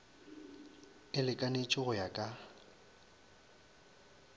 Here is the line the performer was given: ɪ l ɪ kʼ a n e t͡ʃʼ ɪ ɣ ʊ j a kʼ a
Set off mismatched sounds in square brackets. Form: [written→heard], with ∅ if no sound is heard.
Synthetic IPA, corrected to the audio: ɪ l ɪ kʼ a n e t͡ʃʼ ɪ ɣ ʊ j a kʼ a